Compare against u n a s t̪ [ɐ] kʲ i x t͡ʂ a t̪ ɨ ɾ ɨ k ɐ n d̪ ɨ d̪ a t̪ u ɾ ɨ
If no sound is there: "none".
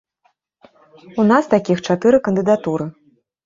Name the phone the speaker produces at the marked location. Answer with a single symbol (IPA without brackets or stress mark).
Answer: a